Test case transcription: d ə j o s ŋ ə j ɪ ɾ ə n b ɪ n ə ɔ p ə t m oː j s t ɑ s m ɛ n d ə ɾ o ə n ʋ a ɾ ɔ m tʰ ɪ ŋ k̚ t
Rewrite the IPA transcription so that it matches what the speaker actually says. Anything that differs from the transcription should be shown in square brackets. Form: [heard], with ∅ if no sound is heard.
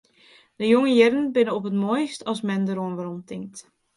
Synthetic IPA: d ə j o [∅] ŋ ə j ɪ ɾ ə n b ɪ n ə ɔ p ə t m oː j s t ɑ s m ɛ n d ə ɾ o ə n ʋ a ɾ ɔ m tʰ ɪ ŋ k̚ t